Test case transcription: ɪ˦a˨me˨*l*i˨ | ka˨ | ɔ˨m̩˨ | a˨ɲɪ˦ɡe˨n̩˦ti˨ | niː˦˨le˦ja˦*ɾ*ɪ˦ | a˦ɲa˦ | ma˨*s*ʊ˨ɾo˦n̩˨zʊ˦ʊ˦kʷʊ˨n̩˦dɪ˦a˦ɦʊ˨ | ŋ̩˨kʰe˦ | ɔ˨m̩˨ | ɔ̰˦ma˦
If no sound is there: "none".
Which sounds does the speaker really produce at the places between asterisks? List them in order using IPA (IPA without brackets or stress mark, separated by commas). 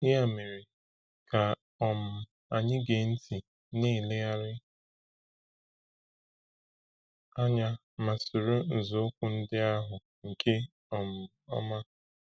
ɾ, ɾ, s